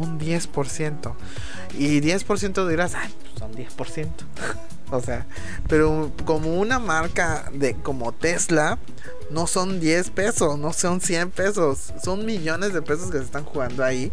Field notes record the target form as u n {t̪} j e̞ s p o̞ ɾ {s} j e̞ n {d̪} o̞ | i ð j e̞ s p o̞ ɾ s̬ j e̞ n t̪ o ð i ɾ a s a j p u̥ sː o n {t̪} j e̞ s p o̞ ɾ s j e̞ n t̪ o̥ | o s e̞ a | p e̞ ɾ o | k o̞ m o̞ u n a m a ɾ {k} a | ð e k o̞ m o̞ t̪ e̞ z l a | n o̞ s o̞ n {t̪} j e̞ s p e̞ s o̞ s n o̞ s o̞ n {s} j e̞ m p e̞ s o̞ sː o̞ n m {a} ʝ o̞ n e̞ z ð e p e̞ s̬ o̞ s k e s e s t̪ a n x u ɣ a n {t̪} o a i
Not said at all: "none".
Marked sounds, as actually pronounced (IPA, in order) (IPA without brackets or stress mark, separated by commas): d̪, s, t̪, d̪, k, d̪, s, i, d̪